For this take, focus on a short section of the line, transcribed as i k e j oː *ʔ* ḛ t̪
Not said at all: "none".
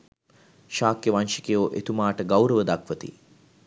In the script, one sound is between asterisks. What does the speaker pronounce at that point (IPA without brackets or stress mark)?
ʔ